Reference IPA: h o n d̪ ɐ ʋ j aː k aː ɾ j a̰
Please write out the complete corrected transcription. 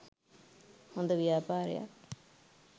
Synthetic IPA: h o n d̪ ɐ ʋ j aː p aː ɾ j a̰